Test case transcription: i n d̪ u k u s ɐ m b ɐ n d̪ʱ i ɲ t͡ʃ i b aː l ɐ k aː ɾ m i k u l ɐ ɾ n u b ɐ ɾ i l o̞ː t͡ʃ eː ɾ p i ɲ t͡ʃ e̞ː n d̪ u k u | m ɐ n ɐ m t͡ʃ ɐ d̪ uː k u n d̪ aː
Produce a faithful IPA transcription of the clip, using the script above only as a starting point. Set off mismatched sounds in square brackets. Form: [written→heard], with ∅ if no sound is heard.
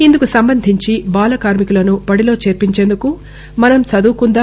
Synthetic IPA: i n d̪ u k u s ɐ m b ɐ n d̪ʱ i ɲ t͡ʃ i b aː l ɐ k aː ɾ m i k u l ɐ [ɾ→∅] n u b ɐ [ɾ→ɽ] i l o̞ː t͡ʃ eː ɾ p i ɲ t͡ʃ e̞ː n d̪ u k u | m ɐ n ɐ m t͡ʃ ɐ d̪ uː k u n d̪ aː